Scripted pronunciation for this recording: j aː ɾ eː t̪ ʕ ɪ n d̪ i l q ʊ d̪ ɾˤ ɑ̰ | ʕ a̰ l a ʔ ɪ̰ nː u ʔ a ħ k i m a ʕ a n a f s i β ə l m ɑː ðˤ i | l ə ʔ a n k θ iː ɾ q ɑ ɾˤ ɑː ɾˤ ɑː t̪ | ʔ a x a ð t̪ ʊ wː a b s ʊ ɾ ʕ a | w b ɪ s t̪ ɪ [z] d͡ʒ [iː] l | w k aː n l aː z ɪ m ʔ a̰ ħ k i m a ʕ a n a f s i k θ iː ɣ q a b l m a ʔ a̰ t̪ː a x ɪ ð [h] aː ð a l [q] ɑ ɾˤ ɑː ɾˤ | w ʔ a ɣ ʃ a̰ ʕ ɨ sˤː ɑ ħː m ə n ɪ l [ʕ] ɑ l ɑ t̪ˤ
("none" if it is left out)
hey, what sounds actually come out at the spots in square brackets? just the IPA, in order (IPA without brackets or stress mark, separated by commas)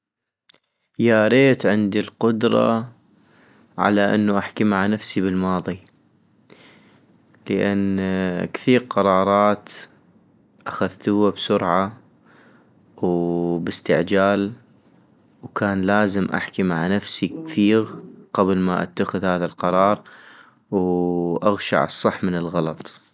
ʕ, aː, h, q, ɣ